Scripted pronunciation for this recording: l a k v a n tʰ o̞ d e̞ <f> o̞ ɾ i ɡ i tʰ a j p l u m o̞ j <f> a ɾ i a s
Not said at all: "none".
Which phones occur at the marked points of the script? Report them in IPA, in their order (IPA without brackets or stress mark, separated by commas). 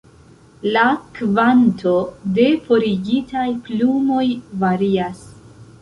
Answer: f, v